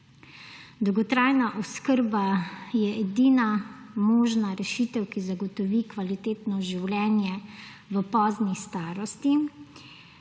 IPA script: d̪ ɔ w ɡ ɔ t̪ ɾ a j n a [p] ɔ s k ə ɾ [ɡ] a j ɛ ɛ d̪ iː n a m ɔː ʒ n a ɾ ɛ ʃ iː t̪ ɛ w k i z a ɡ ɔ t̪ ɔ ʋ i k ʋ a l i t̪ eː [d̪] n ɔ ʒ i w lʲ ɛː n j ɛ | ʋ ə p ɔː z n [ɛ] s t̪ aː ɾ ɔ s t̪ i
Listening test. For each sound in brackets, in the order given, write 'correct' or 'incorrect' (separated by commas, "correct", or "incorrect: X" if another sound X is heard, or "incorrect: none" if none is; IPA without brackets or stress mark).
incorrect: ʔ, incorrect: b, incorrect: t̪, incorrect: i